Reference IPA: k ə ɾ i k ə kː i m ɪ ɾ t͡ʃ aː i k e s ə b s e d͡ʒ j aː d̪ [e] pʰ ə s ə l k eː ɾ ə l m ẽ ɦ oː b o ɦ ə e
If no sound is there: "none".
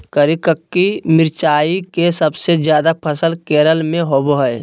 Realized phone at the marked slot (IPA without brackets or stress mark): a